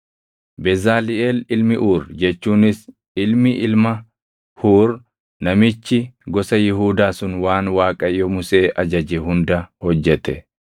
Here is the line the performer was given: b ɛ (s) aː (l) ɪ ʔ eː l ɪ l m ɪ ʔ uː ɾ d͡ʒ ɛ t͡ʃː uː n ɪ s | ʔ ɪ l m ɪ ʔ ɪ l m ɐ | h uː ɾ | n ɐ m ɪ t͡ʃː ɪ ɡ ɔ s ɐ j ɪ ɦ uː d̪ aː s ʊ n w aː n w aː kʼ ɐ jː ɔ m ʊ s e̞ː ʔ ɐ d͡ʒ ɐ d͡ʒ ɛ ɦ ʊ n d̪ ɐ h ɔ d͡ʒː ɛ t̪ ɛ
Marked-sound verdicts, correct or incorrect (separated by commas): incorrect, correct